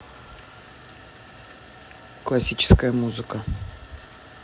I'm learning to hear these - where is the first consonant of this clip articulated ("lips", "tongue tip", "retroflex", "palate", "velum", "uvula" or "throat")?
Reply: velum